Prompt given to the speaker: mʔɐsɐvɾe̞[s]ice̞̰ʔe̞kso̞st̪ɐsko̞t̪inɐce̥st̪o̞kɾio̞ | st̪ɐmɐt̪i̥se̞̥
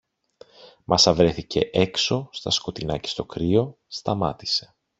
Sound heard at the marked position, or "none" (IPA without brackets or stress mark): θ